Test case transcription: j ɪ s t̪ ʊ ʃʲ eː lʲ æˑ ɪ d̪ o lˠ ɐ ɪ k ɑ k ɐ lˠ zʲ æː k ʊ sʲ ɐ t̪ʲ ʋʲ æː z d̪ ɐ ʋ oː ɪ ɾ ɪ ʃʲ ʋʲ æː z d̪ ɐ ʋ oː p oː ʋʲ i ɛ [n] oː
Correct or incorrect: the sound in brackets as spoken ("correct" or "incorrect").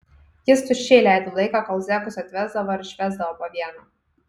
correct